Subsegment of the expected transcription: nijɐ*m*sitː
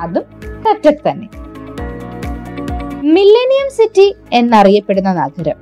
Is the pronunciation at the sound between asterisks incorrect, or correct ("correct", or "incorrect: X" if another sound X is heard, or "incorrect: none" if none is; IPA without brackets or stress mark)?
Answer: correct